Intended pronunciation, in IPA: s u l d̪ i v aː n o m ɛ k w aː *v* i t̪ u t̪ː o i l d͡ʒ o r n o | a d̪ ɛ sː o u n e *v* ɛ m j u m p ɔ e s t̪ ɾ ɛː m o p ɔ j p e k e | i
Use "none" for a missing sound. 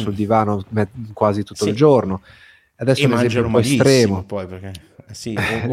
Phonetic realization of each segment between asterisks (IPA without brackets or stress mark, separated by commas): z, z